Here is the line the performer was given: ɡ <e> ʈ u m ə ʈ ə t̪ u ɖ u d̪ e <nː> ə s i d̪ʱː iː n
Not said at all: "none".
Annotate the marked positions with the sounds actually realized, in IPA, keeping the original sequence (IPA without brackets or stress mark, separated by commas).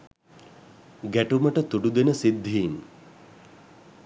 æ, n